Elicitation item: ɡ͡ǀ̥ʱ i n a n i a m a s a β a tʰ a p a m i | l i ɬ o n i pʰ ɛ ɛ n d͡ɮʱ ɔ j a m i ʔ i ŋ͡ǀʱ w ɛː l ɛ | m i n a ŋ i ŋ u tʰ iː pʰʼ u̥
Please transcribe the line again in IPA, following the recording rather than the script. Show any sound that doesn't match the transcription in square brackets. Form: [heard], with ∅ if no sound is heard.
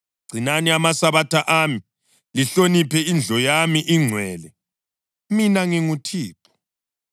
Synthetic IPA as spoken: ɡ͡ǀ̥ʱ i n a n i a m a s a β a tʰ a [ʔ] a m i | l i ɬ o n i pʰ ɛ [i] n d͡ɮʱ ɔ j a m i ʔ i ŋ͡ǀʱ w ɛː l ɛ | m i n a ŋ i ŋ u tʰ iː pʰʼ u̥